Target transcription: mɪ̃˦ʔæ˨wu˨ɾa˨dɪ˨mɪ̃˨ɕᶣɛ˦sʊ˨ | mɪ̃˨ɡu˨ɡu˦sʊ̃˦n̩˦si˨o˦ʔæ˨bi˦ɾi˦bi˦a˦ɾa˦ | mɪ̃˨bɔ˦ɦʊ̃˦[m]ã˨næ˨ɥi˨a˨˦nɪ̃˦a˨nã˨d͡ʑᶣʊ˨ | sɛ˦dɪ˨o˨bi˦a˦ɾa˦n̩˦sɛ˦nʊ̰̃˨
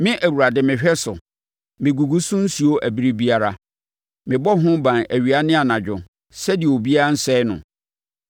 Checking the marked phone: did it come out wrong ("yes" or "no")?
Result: yes